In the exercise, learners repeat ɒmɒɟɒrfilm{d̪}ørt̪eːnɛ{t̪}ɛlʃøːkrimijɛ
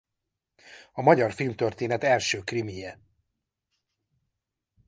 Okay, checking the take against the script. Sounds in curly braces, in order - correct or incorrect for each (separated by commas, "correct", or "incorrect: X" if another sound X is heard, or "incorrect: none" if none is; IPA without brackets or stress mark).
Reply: incorrect: t̪, correct